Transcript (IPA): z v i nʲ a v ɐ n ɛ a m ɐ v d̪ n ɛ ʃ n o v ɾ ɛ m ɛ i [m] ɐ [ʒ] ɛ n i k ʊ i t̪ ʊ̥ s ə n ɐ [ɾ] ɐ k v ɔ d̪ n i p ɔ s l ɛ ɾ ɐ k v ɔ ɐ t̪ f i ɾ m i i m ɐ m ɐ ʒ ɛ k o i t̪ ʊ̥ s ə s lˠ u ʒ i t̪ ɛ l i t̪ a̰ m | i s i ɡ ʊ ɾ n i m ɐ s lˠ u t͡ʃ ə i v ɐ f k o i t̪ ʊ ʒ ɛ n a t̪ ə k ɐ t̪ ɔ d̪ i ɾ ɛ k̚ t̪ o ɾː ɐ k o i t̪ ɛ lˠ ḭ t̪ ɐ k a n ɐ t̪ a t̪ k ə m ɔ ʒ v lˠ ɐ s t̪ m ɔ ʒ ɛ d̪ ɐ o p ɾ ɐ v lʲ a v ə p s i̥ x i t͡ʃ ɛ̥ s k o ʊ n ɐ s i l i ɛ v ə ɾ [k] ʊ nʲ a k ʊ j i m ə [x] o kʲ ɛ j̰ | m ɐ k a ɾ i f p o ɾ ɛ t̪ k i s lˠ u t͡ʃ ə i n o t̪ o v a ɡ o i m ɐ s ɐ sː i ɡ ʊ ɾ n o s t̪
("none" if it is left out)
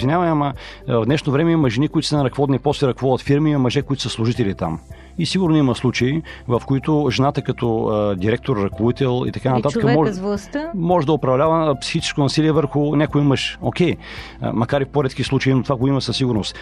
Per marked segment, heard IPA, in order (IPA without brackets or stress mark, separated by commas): m, ʒ, ɾ, x, ʃ